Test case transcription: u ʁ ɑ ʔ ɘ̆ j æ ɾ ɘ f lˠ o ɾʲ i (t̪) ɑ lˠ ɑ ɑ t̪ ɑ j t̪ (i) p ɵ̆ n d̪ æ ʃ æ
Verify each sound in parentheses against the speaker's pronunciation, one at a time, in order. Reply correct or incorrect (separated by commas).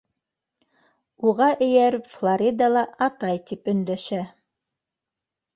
incorrect, correct